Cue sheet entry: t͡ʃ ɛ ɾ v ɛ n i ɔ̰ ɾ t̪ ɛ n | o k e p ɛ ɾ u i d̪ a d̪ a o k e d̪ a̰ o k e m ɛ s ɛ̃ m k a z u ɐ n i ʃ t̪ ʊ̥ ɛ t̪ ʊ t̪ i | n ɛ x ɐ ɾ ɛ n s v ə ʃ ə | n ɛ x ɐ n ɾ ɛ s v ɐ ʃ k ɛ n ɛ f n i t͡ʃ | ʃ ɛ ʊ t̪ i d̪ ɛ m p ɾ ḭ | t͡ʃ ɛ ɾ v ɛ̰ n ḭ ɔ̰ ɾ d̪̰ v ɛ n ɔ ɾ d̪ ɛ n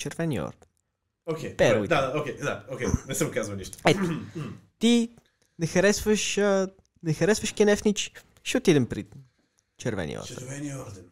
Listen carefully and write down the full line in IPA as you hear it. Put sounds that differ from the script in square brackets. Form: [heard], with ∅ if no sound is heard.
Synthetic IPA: t͡ʃ ɛ ɾ v ɛ n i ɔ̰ ɾ [d̪] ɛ n | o k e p ɛ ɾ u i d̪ a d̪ a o k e d̪ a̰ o k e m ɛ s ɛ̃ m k a z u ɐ n i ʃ t̪ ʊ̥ ɛ t̪ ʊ t̪ i | n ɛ x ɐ ɾ ɛ [∅] s v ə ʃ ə | n ɛ x ɐ [∅] ɾ ɛ s v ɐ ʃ k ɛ n ɛ f n i t͡ʃ | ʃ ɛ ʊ t̪ i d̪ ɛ m p ɾ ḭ | t͡ʃ ɛ ɾ v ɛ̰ n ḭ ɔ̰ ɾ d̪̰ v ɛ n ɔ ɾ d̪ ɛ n